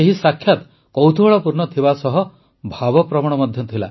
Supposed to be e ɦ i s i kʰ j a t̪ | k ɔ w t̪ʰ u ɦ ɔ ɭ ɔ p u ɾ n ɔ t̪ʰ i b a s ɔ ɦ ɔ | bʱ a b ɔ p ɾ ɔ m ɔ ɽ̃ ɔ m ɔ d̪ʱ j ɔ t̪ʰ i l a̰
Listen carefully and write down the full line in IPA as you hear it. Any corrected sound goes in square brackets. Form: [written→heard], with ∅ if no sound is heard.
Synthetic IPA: e ɦ i s [i→a] kʰ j a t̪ | k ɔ w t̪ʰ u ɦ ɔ ɭ ɔ p u ɾ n ɔ t̪ʰ i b a s ɔ ɦ ɔ | bʱ a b ɔ p ɾ ɔ m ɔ ɽ̃ ɔ m ɔ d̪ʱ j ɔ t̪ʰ i l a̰